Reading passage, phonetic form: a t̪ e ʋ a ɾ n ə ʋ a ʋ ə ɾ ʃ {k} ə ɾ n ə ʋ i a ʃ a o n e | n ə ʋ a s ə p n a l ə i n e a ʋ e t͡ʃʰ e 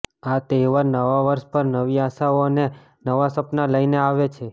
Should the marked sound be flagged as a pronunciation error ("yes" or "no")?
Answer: yes